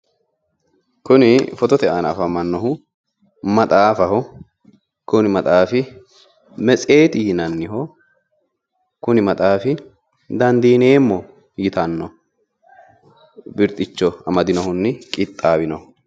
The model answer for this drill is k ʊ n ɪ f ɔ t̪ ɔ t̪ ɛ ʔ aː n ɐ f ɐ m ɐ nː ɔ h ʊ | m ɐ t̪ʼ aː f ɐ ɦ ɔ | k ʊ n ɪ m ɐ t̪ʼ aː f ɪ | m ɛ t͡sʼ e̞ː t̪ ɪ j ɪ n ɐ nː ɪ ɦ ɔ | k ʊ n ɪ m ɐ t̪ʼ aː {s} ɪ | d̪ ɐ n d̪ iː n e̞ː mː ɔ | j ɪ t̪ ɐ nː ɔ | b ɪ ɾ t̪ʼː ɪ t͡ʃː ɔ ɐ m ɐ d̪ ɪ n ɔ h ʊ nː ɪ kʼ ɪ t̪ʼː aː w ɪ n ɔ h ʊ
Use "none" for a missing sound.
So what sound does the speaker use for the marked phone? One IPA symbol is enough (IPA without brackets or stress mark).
f